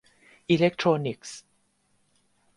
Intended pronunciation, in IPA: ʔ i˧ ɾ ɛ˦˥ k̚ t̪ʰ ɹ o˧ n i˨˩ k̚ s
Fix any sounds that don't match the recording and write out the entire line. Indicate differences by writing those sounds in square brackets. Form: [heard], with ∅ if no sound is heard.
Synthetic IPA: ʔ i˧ [l] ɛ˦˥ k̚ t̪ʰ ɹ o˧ n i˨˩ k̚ s